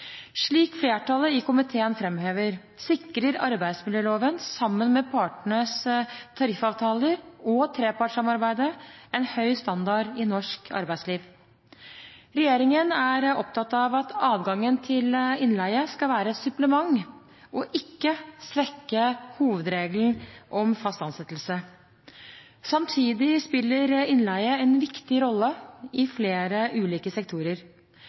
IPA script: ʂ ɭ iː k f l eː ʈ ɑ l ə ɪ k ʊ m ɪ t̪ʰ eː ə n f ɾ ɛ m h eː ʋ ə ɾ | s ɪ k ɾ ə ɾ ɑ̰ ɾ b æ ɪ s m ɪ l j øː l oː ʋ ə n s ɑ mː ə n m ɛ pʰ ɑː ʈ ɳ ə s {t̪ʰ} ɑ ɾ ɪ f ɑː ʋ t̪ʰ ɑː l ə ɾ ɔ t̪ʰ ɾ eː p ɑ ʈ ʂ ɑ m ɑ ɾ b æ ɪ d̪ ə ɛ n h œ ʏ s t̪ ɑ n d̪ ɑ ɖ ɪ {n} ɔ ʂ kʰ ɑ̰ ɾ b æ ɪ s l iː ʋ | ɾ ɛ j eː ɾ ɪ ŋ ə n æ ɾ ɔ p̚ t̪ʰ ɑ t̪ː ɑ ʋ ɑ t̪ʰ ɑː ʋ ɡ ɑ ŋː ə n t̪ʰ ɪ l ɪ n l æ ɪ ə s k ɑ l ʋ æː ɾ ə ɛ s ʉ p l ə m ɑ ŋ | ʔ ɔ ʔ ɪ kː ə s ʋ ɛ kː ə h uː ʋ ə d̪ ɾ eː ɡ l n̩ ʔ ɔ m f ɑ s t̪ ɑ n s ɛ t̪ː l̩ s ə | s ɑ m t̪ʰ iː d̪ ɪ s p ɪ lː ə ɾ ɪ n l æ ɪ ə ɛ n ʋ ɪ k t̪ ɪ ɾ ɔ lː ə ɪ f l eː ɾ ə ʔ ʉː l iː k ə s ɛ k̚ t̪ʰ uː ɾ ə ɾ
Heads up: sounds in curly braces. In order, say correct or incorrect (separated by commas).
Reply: correct, correct